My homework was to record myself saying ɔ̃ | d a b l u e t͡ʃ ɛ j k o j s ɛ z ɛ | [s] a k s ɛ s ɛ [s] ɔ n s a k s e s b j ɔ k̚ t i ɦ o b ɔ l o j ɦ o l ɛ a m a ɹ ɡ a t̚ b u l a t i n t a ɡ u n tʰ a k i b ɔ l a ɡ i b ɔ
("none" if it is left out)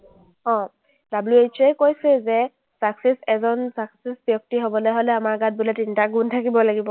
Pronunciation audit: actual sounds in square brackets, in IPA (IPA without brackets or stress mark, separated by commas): s, z